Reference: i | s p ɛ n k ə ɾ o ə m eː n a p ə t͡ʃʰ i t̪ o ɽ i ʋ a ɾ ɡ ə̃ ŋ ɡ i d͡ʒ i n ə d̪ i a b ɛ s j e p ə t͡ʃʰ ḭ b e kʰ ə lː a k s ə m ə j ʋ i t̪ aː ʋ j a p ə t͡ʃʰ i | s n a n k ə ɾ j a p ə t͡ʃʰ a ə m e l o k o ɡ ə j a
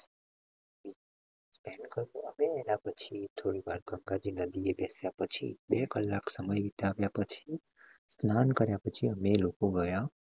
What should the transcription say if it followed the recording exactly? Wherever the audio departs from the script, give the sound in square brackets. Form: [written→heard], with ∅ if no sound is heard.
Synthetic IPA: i | s p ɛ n k ə ɾ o ə m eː n a p ə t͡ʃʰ i [t̪→t̪ʰ] o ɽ i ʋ a ɾ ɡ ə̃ ŋ ɡ [i→a] d͡ʒ i n ə d̪ i [a→e] b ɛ s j [e→a] p ə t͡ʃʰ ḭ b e [kʰ→k] ə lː a k s ə m ə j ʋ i t̪ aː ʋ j a p ə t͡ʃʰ i | s n a n k ə ɾ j a p ə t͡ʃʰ [a→i] ə m e l o k o ɡ ə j a

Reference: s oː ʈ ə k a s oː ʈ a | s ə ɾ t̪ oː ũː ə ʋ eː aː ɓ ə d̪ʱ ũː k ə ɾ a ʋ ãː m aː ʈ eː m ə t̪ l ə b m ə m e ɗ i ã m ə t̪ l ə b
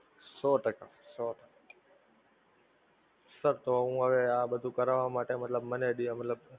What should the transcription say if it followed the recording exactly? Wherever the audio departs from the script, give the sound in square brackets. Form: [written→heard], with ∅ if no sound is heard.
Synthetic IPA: s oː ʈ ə k a s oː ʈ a | s ə ɾ t̪ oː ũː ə ʋ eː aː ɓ ə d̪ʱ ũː k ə ɾ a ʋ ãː m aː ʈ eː m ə t̪ l ə b m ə [m→n] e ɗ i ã m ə t̪ l ə b

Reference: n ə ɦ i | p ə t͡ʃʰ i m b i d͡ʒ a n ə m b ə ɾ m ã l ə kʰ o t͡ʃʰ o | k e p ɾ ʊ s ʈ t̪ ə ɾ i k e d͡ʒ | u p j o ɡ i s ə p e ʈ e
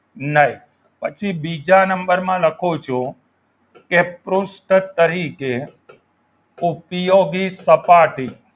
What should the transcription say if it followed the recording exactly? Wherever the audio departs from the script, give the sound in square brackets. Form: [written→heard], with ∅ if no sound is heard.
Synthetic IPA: n ə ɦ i | p ə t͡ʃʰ i [m→∅] b i d͡ʒ a n ə m b ə ɾ m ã l ə kʰ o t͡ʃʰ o | k e p ɾ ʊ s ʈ t̪ ə ɾ i k e [d͡ʒ→∅] | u p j o ɡ i s ə p [e→a] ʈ [e→i]

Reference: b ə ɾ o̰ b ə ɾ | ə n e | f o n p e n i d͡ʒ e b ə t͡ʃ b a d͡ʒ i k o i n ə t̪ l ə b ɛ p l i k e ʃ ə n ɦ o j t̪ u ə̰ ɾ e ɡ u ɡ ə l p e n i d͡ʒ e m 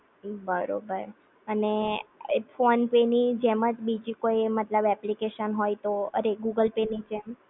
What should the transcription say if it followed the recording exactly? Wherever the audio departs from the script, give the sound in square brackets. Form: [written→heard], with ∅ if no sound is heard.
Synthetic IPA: b ə ɾ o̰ b ə ɾ | ə n e | f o n p e n i d͡ʒ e [b→m] ə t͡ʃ b [a→i] d͡ʒ i k o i [n→m] ə t̪ l ə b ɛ p l i k e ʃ ə n ɦ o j t̪ [u→o] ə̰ ɾ e ɡ u ɡ ə l p e n i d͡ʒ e m

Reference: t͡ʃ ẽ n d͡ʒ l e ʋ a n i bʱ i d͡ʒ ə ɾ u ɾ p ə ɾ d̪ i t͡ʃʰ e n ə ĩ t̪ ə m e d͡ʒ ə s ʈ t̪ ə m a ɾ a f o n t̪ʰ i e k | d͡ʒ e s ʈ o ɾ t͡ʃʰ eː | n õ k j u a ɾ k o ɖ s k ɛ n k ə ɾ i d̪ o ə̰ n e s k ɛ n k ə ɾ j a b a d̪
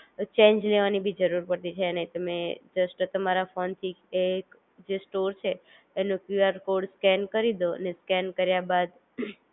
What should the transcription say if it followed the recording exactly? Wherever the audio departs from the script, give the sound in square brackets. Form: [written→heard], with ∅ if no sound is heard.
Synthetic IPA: t͡ʃ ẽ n d͡ʒ l e ʋ a n i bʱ i d͡ʒ ə ɾ u ɾ p ə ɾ [d̪→t̪] i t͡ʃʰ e n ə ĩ t̪ ə m e d͡ʒ ə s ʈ t̪ ə m a ɾ a f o n t̪ʰ i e k | d͡ʒ e s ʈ o ɾ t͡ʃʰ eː | n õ k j u a ɾ k o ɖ s k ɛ n k ə ɾ i d̪ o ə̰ n e s k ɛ n k ə ɾ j a b a d̪

